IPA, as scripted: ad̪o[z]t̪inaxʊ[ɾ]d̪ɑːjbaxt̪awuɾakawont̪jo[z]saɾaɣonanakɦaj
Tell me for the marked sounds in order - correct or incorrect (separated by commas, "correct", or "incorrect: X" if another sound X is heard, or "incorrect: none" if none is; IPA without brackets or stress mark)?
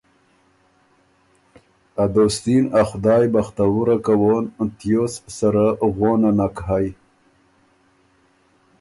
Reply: incorrect: s, incorrect: none, incorrect: s